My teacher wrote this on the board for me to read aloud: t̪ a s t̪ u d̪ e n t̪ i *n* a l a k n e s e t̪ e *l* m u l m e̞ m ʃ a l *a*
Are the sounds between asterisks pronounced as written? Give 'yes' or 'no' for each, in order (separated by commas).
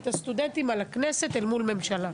no, yes, yes